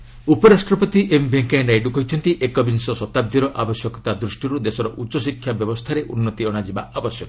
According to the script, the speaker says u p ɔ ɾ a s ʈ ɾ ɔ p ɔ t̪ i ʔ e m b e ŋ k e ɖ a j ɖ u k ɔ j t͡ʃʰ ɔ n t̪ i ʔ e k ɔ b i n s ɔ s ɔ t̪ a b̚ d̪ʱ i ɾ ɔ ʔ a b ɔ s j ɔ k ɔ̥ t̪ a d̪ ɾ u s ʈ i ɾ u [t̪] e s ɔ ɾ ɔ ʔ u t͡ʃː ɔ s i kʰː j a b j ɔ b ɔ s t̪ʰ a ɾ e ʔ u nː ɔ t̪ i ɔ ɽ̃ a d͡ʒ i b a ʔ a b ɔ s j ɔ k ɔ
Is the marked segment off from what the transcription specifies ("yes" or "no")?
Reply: yes